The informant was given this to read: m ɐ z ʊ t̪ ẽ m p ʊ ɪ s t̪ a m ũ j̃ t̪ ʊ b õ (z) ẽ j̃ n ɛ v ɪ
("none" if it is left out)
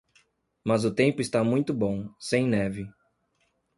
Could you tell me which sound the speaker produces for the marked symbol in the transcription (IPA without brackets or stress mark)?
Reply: s